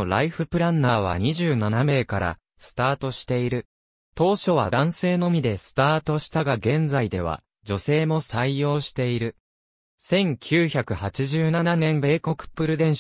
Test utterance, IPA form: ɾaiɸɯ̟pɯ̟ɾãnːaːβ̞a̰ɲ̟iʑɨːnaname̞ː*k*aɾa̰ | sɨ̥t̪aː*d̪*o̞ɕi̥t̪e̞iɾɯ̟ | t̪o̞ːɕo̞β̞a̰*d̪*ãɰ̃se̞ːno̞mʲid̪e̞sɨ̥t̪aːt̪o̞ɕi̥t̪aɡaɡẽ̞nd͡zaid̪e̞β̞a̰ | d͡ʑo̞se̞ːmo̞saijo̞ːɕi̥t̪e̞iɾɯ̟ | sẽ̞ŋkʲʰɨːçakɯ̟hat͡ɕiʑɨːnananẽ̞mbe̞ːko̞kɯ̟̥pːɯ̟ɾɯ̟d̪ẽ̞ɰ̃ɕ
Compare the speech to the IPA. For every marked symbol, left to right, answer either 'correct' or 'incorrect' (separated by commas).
correct, incorrect, correct